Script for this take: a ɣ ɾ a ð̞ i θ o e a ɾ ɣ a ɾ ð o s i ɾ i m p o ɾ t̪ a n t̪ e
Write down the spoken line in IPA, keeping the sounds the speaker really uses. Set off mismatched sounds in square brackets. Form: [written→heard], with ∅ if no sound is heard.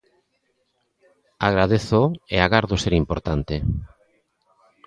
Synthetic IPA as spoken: a ɣ ɾ a ð̞ [i→e] θ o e a [ɾ→∅] ɣ a ɾ ð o s [i→e] ɾ i m p o ɾ t̪ a n t̪ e